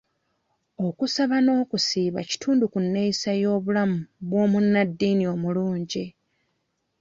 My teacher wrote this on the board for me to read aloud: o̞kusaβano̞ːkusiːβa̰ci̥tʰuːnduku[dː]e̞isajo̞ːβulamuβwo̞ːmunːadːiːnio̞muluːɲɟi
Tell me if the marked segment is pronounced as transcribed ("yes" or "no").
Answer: no